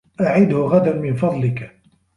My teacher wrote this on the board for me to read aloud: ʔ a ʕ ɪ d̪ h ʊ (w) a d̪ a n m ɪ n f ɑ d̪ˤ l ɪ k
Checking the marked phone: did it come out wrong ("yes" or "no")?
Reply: yes